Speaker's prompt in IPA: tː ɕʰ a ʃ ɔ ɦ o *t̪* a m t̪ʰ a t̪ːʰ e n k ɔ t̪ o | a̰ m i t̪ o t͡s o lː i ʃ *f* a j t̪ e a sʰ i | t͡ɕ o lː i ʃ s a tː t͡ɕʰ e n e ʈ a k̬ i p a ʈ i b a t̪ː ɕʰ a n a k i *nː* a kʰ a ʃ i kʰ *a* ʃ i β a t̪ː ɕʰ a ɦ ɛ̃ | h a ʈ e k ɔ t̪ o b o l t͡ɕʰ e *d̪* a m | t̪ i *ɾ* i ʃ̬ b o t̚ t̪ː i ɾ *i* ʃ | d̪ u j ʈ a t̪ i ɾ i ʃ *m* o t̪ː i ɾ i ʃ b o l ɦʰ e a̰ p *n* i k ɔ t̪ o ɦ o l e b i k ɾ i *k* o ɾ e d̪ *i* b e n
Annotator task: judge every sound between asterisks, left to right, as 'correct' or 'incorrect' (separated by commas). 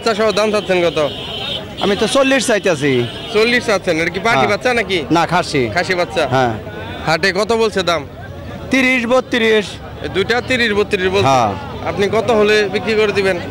incorrect, incorrect, incorrect, correct, correct, correct, correct, incorrect, correct, correct, correct